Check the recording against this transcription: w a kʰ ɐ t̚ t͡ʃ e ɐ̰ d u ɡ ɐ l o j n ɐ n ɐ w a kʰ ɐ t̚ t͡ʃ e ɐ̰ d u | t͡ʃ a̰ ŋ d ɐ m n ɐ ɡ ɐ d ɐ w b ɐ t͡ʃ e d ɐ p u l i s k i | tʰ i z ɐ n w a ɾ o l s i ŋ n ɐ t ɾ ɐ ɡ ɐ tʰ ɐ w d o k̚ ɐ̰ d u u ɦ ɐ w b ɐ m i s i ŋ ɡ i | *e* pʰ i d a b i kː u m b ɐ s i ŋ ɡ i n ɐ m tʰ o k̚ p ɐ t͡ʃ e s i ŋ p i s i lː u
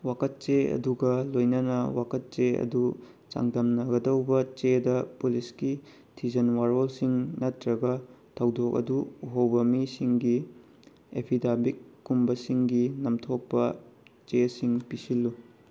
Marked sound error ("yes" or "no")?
no